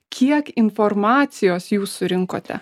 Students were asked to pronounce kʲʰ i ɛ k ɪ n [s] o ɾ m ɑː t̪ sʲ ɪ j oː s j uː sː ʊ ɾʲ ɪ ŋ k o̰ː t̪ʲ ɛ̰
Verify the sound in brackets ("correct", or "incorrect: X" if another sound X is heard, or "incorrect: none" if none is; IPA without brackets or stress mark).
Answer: incorrect: f